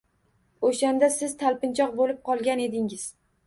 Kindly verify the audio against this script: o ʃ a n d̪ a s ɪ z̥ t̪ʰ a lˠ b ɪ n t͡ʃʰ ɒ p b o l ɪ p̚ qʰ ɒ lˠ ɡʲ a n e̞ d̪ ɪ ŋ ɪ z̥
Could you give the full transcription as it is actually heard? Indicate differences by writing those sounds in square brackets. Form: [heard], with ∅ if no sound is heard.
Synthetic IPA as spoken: o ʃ a n d̪ a s ɪ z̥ t̪ʰ a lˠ [p] ɪ n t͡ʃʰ ɒ [q] b o l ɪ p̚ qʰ ɒ lˠ ɡʲ a n e̞ d̪ ɪ ŋ ɪ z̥